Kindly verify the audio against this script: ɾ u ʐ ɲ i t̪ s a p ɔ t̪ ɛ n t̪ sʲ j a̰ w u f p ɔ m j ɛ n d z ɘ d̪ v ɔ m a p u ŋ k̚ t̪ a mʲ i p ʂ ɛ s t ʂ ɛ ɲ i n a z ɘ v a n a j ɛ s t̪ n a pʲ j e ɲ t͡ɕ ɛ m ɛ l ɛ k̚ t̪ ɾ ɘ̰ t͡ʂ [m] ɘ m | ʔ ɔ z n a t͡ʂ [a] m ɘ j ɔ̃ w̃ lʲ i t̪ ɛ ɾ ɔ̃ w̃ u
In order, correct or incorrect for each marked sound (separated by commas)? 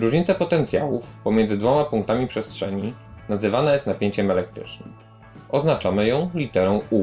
incorrect, correct